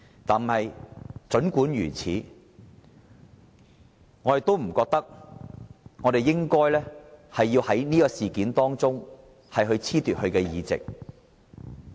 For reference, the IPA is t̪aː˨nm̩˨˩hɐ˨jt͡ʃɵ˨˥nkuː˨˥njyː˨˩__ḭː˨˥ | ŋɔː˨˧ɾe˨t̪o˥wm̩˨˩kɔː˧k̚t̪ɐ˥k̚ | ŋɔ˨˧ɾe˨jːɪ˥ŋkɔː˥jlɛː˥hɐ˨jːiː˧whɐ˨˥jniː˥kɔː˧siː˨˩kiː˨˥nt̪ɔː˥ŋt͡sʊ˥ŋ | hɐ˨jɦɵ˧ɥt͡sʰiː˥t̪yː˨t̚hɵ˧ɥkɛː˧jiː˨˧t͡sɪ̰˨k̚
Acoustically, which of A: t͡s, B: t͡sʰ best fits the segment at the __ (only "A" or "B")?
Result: B